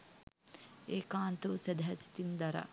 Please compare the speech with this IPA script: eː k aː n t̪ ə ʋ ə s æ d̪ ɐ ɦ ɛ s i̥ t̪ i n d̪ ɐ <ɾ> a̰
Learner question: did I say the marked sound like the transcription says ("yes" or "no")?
yes